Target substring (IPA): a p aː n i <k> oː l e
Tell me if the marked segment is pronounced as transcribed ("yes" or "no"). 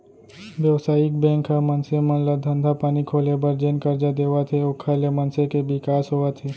no